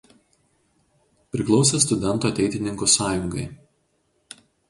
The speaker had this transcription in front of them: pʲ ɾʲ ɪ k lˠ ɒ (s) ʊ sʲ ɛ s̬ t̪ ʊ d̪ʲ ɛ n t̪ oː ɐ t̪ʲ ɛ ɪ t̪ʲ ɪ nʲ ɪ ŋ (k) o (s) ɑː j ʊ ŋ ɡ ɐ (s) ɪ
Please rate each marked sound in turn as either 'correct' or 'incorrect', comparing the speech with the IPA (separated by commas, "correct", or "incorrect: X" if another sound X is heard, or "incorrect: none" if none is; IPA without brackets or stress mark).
incorrect: none, correct, correct, incorrect: none